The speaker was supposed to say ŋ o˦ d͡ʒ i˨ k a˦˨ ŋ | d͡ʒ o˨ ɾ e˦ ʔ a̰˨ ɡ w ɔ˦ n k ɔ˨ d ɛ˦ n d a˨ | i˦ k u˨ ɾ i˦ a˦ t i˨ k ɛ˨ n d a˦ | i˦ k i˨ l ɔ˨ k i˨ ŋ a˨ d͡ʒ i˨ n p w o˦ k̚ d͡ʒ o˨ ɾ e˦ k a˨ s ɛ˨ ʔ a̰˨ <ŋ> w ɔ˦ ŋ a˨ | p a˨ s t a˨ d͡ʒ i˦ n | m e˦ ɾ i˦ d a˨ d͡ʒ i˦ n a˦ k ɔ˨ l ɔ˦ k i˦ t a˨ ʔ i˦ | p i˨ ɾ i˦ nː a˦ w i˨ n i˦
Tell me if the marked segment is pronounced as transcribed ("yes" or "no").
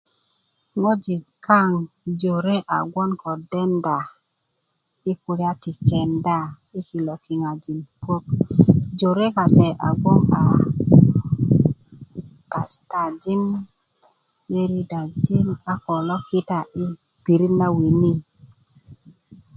no